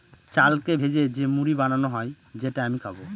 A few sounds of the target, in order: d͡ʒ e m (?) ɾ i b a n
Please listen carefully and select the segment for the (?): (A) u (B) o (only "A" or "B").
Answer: A